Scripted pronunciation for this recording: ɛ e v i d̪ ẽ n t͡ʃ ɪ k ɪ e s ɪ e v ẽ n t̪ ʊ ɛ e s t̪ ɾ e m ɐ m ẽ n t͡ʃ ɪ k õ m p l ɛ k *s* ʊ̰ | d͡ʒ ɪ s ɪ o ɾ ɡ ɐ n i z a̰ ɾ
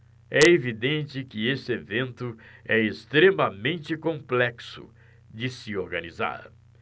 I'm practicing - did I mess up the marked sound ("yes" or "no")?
no